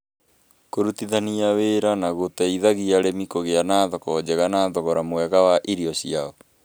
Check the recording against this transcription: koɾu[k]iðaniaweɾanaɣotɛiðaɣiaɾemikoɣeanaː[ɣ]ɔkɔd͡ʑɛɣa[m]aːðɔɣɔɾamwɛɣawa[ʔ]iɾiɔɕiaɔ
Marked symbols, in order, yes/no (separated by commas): no, no, no, yes